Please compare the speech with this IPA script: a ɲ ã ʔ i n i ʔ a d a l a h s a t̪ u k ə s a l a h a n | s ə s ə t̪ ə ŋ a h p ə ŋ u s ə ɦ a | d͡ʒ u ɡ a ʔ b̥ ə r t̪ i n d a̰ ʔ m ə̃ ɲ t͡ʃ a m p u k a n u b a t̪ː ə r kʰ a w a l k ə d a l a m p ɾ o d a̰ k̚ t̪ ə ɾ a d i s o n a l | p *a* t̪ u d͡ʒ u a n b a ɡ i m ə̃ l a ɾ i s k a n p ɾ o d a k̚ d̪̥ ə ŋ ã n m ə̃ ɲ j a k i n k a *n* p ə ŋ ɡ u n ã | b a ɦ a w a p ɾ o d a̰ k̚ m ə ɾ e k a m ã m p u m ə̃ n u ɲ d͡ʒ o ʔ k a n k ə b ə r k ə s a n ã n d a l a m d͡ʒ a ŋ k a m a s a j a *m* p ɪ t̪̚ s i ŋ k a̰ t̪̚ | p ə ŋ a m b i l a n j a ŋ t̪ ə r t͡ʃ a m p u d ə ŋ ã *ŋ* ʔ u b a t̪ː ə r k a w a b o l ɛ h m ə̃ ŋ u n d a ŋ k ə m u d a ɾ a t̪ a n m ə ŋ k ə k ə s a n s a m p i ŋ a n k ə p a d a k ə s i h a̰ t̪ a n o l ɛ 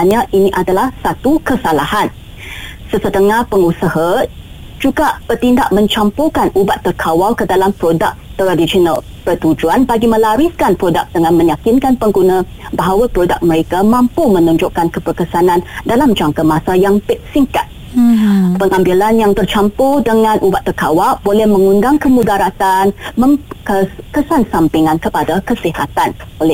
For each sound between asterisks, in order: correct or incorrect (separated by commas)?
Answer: incorrect, correct, incorrect, incorrect